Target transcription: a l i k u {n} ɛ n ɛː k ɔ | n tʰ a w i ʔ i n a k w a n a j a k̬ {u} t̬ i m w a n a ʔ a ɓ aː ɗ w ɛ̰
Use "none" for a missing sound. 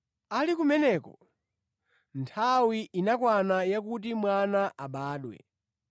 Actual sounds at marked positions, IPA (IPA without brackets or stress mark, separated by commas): m, u